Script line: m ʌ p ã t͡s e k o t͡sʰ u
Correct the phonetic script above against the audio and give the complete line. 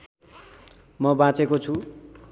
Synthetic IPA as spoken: m ʌ b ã t͡s e k o t͡sʰ u